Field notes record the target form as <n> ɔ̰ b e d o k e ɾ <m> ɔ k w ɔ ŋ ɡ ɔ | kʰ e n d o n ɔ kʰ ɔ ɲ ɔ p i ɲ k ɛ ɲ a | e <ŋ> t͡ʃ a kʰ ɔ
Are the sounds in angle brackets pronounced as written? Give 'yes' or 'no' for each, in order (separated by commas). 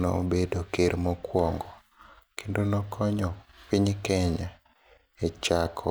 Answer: yes, yes, no